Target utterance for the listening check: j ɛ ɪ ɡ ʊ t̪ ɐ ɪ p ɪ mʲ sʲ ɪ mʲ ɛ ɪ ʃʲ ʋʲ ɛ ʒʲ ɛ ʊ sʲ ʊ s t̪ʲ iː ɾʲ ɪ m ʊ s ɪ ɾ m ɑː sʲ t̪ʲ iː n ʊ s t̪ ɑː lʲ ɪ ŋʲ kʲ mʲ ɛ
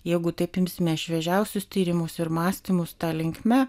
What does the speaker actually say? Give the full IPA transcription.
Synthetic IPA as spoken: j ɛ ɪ ɡ ʊ t̪ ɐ ɪ p ɪ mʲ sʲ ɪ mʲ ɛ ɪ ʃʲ ʋʲ ɛ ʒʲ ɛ ʊ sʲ ʊ s t̪ʲ iː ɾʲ ɪ m ʊ s ɪ ɾ m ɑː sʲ t̪ʲ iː m ʊ s t̪ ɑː lʲ ɪ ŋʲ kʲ mʲ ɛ